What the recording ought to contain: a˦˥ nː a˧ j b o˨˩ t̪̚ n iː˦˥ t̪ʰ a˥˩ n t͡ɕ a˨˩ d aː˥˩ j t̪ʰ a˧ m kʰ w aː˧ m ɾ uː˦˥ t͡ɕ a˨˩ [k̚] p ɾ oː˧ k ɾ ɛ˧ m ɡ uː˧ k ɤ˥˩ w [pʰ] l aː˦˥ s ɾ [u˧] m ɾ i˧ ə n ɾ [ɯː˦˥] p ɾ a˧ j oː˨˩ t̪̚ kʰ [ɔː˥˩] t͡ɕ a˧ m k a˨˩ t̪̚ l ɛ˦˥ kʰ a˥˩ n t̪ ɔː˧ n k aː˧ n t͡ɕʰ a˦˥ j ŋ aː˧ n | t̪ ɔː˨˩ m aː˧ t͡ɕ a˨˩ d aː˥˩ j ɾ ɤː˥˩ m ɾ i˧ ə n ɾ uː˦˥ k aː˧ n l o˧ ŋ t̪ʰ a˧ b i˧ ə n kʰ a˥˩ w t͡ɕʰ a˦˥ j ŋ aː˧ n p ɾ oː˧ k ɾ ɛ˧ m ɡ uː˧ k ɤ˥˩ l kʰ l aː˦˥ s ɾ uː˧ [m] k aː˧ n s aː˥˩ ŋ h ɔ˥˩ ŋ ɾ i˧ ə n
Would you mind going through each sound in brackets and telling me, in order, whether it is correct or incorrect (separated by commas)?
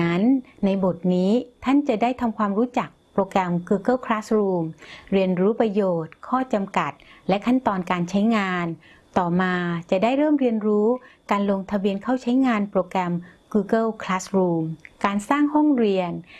correct, incorrect, incorrect, incorrect, correct, correct